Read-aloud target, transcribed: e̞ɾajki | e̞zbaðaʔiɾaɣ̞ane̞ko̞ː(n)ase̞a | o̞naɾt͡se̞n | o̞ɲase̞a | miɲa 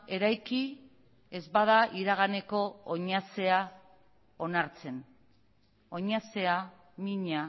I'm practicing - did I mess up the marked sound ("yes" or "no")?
yes